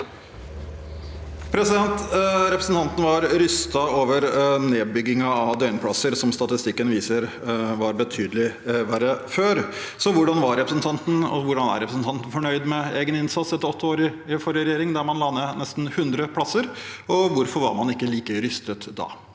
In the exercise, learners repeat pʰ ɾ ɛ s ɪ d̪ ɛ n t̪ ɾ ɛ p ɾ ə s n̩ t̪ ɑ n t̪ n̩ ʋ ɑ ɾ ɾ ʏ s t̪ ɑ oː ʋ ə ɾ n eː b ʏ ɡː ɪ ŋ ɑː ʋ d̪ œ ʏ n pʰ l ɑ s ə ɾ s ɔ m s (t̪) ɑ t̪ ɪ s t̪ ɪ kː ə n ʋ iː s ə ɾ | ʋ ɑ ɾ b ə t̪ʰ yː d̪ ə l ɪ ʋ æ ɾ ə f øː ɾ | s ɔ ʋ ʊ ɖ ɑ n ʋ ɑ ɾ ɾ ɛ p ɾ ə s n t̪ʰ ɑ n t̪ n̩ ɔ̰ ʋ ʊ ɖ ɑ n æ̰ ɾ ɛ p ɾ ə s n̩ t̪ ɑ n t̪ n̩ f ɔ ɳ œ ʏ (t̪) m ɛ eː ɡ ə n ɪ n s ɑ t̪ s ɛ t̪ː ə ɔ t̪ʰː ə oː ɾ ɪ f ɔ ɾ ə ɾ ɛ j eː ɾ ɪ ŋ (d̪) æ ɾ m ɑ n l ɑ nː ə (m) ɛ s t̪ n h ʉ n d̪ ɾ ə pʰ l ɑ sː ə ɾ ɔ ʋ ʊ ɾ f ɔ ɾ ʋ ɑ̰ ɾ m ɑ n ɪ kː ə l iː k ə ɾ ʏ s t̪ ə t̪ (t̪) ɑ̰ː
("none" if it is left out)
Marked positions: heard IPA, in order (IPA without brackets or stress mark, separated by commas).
t̪, d̪, d̪, n, d̪